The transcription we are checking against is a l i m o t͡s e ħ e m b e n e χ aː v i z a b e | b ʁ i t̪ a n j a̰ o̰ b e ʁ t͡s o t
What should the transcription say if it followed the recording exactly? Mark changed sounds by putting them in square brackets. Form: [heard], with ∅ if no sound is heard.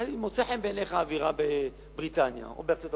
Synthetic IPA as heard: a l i m o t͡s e ħ e m b e n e χ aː v i [ʁ] a b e | b ʁ i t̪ a n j a̰ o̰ b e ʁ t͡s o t